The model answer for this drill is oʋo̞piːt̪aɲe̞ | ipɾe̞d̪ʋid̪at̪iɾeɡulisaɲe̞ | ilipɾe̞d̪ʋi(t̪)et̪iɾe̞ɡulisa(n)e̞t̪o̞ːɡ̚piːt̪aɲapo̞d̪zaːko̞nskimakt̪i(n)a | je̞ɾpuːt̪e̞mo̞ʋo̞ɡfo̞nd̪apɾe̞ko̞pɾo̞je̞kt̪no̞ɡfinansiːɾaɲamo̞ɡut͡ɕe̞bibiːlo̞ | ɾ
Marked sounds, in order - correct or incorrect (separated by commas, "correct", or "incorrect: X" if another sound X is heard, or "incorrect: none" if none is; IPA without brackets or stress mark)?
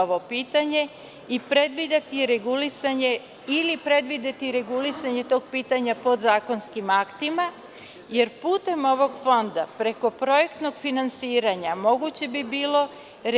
incorrect: d̪, incorrect: ɲ, incorrect: m